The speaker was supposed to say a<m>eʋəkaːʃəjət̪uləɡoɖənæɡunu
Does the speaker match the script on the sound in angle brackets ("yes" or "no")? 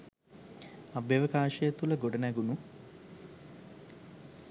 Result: no